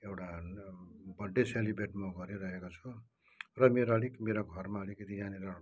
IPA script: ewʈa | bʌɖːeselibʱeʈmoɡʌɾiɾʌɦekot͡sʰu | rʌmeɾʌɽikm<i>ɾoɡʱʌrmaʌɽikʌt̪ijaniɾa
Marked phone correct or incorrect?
incorrect